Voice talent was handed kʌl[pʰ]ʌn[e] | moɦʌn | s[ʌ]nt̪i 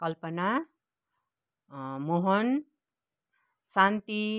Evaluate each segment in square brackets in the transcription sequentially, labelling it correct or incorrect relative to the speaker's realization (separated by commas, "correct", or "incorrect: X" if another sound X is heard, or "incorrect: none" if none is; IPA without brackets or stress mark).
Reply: incorrect: p, incorrect: a, incorrect: a